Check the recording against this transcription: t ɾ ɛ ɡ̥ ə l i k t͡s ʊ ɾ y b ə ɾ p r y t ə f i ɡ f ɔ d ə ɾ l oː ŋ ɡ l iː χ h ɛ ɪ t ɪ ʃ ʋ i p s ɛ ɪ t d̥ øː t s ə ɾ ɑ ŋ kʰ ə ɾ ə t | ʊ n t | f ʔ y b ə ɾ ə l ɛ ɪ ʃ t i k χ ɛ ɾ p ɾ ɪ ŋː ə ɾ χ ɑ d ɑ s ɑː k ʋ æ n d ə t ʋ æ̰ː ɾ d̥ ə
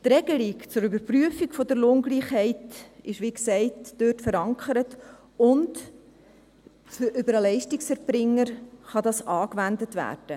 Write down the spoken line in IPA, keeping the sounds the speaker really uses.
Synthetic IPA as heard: t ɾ ɛ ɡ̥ ə l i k t͡s ʊ ɾ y b ə ɾ p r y ə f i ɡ f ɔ d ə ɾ l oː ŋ ɡ l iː χ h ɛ ɪ t ɪ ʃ ʋ i k s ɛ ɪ t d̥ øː t f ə ɾ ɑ ŋ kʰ ə ɾ ə t | ʊ n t | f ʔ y b ə ɾ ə l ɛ ɪ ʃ t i k s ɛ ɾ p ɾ ɪ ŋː ə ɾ χ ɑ d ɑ s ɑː k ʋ æ n d ə t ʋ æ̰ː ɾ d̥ ə